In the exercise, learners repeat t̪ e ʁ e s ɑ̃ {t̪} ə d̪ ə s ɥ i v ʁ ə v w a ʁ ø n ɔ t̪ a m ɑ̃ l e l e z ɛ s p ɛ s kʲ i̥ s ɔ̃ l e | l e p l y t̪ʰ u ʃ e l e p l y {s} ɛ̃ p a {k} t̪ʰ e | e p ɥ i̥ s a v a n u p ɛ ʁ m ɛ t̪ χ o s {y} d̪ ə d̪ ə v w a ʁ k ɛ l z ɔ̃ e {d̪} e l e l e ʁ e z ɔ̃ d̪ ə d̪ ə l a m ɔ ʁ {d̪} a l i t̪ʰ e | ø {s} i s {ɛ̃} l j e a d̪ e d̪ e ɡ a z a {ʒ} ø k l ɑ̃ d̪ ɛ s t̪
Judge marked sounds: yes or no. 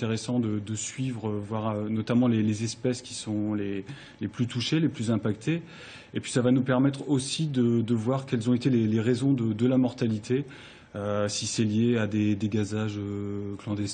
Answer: no, no, yes, no, no, no, yes, no, yes

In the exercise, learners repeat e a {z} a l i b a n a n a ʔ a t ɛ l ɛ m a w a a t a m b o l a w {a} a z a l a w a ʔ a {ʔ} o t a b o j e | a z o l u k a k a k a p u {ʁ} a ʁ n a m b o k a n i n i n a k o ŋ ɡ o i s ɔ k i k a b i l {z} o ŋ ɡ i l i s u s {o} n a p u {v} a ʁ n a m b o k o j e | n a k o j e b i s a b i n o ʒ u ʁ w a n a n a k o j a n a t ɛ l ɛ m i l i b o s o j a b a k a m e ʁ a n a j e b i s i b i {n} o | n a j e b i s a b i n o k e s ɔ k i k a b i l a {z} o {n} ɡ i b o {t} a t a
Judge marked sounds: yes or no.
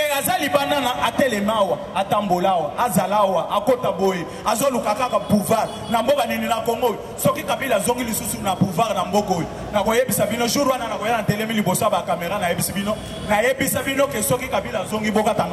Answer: yes, yes, no, no, yes, no, yes, yes, yes, no, no

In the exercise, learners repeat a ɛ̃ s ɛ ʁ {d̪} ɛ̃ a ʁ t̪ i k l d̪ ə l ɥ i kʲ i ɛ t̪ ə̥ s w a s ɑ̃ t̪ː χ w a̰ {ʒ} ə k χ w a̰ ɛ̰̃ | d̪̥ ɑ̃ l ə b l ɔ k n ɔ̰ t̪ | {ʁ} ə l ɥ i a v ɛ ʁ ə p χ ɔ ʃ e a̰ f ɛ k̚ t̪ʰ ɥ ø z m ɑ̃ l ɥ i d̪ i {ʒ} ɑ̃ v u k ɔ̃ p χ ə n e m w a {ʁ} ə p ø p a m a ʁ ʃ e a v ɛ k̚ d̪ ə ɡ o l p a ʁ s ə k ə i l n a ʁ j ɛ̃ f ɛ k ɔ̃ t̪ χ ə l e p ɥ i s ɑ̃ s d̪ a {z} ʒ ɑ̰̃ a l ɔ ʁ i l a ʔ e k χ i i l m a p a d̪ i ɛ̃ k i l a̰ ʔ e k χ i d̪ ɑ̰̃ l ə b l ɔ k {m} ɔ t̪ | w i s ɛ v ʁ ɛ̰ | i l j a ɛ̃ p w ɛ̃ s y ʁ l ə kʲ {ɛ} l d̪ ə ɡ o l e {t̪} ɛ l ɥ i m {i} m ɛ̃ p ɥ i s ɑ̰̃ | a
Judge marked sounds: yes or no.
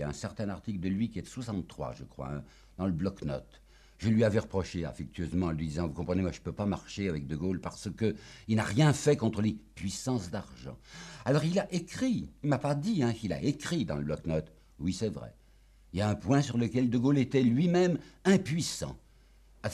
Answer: no, yes, no, no, no, no, no, yes, yes, no

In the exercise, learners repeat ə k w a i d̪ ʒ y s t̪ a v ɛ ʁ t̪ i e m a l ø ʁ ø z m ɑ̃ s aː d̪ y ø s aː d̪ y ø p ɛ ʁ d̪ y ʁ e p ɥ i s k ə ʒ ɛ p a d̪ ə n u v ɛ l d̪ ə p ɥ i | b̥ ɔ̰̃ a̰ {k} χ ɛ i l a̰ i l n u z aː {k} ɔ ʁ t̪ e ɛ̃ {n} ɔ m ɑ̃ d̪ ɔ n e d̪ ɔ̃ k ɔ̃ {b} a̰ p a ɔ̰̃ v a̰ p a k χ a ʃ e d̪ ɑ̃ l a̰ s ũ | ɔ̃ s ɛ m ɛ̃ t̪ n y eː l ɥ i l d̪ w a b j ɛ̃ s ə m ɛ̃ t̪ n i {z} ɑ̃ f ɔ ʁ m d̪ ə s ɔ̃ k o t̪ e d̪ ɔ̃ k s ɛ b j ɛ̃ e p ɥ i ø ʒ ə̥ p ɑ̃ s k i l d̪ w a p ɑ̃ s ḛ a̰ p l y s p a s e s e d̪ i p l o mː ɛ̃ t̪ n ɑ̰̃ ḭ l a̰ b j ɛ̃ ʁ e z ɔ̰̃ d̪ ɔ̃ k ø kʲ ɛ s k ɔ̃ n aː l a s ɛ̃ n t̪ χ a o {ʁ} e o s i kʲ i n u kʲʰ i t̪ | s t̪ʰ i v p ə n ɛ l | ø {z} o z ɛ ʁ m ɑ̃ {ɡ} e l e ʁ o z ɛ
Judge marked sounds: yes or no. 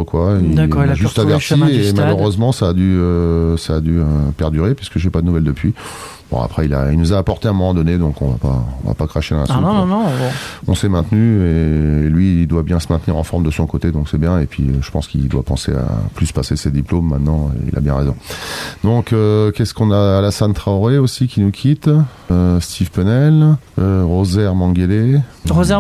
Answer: no, no, no, no, no, yes, no, yes

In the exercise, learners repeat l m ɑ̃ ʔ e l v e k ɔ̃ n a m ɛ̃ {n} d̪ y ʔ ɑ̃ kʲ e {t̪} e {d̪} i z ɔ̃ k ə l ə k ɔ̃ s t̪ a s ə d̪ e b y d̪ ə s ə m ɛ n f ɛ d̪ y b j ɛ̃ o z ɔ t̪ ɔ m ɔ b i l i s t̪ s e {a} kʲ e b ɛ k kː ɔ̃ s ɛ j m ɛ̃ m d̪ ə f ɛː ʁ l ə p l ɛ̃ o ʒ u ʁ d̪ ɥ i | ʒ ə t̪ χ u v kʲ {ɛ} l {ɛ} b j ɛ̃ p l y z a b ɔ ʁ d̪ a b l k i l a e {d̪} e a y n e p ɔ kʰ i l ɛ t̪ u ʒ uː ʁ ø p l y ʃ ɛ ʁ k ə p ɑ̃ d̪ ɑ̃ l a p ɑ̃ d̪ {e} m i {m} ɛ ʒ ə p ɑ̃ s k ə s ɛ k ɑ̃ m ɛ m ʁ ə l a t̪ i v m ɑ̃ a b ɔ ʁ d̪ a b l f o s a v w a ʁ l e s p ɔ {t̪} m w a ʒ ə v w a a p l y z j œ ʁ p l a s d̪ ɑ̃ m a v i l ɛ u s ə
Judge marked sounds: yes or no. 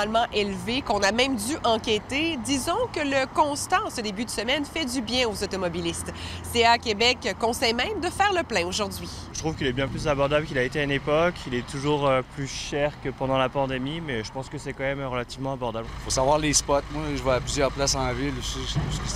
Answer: no, yes, yes, yes, no, yes, no, yes, yes, yes

